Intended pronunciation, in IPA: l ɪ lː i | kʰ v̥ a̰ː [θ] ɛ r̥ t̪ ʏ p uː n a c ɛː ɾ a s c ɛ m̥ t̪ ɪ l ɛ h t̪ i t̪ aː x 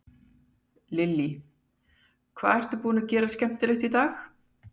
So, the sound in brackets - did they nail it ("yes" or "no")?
no